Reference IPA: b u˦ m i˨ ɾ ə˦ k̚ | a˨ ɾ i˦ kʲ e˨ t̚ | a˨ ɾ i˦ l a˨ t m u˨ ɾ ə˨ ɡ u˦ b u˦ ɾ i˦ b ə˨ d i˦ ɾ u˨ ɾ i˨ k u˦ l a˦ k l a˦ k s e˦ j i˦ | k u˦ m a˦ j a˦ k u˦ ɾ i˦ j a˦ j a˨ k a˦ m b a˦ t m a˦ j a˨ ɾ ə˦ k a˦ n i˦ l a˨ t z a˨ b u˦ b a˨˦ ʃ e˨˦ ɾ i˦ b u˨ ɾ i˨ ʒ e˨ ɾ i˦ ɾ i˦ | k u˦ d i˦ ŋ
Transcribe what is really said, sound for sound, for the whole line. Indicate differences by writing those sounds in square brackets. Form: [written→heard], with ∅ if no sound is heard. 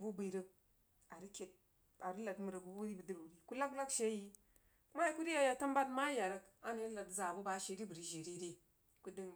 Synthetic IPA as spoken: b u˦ [m→b] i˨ ɾ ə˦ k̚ | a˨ ɾ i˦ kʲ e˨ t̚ | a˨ ɾ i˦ l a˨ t m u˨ ɾ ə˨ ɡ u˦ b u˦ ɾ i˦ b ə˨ d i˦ ɾ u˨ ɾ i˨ k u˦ l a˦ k l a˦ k [s→ʃ] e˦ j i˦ | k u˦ m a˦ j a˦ k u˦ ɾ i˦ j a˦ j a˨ [k→t] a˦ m b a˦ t m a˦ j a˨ ɾ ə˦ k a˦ n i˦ l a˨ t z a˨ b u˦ b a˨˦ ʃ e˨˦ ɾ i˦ b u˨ ɾ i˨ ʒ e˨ ɾ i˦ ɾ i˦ | k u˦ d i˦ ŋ

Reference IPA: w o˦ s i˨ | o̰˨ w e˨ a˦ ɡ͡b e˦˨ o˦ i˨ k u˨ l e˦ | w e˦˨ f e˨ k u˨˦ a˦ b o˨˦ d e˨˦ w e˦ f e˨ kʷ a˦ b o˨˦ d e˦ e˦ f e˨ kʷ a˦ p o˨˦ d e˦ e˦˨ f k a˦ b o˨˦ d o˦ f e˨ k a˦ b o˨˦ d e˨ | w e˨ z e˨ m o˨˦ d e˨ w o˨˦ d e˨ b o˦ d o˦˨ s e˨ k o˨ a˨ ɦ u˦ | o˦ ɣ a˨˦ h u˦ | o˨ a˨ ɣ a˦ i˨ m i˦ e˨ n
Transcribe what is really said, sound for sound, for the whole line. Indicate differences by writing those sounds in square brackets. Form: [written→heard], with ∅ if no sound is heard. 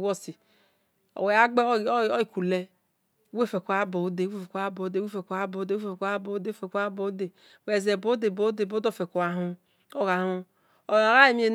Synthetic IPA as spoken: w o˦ s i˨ | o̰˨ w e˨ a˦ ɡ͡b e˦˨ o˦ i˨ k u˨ l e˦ | w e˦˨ f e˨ k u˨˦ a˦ b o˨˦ d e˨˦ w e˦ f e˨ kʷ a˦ b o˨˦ d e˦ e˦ f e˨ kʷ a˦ [p→b] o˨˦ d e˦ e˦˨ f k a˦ b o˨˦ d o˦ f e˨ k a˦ b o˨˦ d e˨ | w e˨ z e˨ [m→b] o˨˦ d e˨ [w→b] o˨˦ d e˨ b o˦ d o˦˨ [s→f] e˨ k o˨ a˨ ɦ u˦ | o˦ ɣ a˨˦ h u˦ | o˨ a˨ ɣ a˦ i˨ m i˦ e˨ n

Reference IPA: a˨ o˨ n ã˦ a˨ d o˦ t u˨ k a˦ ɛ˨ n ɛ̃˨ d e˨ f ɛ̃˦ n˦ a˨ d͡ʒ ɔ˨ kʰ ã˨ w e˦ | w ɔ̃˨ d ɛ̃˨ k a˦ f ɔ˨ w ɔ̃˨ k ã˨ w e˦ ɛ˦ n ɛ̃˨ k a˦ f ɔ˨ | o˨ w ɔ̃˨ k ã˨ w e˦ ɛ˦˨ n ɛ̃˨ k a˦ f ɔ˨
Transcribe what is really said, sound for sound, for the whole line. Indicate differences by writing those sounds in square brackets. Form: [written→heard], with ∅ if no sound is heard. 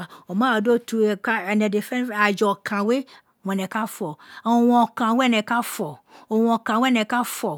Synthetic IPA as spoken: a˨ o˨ [n→m] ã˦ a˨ d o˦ t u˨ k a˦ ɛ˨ n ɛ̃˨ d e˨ f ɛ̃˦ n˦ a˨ d͡ʒ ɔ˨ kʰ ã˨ w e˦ | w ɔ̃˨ [d→n] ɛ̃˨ k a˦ f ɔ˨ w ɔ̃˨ k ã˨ w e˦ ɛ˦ n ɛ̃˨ k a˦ f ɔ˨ | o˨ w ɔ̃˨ k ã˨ w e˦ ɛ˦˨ n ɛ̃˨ k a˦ f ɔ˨

